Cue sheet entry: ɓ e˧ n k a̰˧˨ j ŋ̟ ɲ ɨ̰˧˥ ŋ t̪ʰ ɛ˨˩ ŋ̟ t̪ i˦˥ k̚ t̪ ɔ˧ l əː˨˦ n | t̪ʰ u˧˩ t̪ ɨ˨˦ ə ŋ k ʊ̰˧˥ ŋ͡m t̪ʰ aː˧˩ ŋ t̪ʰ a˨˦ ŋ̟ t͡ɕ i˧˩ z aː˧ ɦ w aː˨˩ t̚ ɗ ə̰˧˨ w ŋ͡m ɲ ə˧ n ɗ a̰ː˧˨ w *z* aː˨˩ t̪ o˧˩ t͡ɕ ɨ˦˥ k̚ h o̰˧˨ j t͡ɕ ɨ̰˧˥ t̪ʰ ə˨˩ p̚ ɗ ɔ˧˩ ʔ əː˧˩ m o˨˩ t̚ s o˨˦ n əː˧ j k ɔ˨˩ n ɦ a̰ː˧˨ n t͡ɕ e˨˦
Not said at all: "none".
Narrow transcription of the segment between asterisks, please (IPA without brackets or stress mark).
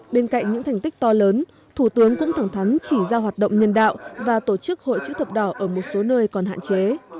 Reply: v